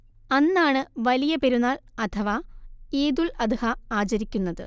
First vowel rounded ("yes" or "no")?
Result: no